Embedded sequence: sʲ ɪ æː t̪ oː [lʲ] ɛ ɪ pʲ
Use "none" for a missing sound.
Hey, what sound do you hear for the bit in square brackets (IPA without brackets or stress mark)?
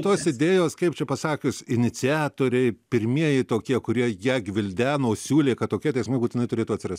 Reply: ɾʲ